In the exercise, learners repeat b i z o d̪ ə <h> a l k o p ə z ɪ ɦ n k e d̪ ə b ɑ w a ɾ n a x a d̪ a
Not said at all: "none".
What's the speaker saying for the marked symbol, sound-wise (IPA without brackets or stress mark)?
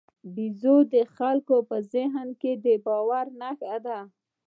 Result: x